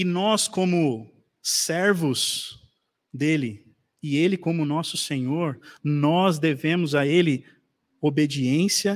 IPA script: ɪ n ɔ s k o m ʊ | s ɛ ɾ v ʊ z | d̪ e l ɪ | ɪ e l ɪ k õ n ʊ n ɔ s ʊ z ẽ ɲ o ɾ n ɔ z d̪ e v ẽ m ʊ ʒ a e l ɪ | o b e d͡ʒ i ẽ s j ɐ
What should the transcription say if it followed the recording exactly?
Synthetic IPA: ɪ n ɔ s k õ m ʊ | s ɛ ɾ v ʊ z | d̪ e l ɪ | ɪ e l ɪ k õ m ʊ n ɔ s ʊ s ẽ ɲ o ɾ n ɔ z d̪ e v ẽ m ʊ z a e l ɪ | o b e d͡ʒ i ẽ s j ɐ